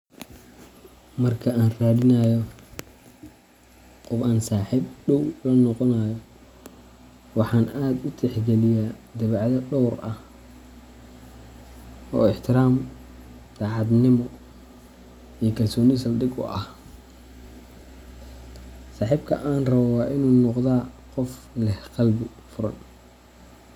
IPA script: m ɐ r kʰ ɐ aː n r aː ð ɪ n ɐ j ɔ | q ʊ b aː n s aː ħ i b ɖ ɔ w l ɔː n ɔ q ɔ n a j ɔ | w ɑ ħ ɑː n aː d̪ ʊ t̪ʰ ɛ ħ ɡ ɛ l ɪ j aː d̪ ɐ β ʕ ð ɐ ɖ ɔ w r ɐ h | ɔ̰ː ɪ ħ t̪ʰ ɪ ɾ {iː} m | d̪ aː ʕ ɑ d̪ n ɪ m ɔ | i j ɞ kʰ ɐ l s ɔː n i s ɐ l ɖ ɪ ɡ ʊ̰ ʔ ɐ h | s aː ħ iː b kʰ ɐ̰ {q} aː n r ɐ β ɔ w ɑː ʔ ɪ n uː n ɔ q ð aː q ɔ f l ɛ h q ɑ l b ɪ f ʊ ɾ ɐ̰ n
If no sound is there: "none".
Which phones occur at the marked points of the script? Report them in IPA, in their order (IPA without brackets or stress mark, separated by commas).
aː, ʔ